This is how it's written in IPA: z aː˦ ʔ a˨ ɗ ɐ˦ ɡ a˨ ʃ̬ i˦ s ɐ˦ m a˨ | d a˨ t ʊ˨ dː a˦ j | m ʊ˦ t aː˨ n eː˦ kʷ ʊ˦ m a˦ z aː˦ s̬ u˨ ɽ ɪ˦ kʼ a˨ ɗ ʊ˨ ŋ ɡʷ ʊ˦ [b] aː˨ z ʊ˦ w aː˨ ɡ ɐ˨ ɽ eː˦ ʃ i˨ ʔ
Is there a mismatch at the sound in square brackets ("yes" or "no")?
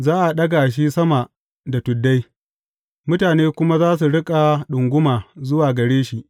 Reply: yes